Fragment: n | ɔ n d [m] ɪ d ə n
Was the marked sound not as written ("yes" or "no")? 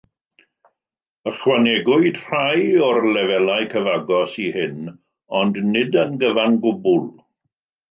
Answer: yes